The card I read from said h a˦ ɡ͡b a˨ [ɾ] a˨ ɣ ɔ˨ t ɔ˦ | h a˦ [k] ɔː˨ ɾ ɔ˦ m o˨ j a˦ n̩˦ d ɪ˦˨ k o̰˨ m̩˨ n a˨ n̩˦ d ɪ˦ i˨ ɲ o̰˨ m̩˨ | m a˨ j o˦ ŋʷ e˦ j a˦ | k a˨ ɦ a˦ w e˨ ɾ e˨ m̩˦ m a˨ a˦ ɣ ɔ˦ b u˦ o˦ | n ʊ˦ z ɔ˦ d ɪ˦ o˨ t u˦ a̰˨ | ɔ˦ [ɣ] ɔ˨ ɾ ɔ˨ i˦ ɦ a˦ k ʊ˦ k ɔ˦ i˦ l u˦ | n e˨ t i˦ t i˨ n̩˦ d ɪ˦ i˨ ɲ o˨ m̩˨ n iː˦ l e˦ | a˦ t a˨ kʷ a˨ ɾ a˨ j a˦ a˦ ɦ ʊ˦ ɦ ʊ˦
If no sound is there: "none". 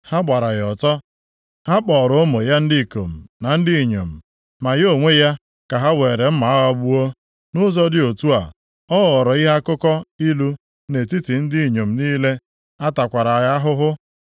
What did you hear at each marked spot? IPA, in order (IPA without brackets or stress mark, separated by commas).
ɾ, k͡p, ɣ